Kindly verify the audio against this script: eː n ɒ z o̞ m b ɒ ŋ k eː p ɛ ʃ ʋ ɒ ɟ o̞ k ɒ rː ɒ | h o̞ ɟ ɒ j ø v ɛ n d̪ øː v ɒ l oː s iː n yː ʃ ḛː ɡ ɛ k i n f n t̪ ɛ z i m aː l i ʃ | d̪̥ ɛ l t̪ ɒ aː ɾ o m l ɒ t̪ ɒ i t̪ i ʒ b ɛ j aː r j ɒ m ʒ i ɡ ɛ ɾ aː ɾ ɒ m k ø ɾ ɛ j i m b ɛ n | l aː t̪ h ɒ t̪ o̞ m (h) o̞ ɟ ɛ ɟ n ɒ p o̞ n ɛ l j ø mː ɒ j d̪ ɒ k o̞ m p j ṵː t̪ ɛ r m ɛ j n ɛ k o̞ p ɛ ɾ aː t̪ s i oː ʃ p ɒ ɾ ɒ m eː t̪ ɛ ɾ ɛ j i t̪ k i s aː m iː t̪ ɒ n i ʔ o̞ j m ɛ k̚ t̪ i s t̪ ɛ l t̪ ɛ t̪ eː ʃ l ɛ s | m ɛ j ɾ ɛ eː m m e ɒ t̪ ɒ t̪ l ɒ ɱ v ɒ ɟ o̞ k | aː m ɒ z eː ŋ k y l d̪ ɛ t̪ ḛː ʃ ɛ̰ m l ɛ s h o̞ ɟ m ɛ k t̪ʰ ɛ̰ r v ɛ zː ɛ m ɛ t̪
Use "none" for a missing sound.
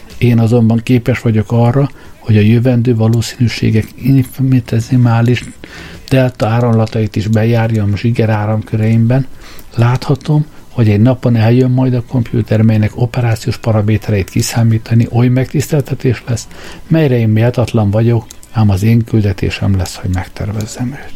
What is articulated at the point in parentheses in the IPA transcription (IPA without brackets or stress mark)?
h